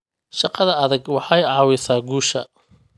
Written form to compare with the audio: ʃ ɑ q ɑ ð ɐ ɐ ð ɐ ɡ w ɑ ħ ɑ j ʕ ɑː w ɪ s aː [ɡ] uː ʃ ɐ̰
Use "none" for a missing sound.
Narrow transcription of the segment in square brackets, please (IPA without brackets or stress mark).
ɡ